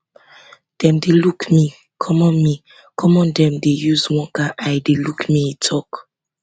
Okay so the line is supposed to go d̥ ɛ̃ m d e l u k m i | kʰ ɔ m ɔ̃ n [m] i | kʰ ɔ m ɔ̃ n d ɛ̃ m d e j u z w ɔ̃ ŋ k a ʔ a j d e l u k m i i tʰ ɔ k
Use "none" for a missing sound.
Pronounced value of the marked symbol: m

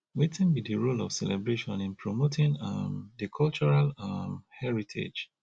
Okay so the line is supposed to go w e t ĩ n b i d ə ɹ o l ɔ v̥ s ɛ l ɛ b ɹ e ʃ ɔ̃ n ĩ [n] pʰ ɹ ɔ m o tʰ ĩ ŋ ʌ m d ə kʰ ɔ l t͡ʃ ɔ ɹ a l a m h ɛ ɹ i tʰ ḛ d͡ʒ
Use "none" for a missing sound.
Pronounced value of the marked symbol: n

